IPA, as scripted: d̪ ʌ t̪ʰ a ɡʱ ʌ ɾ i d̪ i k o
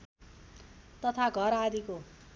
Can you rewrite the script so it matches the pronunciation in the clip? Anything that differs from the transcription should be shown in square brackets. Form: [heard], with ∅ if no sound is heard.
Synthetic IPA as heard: [t̪] ʌ t̪ʰ a ɡʱ ʌ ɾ [a] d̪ i k o